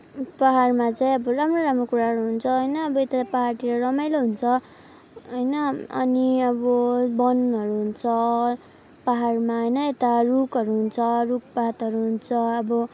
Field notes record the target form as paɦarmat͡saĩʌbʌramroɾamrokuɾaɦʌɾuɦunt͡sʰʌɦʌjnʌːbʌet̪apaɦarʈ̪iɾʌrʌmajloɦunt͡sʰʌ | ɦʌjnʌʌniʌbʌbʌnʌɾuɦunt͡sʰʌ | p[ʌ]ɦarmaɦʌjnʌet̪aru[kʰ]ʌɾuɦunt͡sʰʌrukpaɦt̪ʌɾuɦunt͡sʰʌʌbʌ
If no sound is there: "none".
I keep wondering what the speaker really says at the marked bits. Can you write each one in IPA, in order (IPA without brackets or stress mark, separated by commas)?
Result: a, k